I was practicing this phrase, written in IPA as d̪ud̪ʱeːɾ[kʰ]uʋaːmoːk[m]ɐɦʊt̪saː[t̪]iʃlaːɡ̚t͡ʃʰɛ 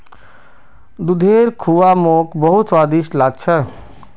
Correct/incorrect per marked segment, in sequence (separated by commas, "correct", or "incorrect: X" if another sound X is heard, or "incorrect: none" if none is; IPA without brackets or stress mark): correct, incorrect: b, incorrect: d̪